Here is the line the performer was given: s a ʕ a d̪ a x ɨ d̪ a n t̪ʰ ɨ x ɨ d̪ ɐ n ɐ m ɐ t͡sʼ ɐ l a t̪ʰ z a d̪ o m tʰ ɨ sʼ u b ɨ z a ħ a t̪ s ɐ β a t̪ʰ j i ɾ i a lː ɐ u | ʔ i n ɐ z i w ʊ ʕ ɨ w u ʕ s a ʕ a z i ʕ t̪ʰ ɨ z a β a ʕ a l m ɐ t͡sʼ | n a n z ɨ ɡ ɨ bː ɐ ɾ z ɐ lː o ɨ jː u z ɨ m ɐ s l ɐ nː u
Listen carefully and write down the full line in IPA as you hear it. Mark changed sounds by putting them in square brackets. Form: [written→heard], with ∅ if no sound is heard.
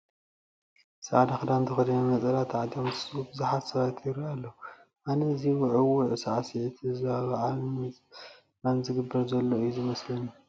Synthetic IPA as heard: s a ʕ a d̪ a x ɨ d̪ a n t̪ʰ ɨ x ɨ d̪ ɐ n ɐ m ɐ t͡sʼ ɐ l a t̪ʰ [z→ʕ] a d̪ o m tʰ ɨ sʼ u b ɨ z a ħ a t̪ s ɐ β a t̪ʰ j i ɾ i a lː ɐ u | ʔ [i→a] n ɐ z i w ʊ ʕ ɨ w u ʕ s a ʕ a [z→s] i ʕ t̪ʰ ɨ z a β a ʕ a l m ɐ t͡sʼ | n a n z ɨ ɡ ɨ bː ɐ ɾ z ɐ lː o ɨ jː u z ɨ m ɐ s l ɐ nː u